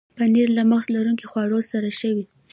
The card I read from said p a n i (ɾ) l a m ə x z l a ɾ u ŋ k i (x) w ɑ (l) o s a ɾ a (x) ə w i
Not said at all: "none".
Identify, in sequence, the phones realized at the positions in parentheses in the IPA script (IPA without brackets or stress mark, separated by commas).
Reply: ɾ, x, ɽ, ʃ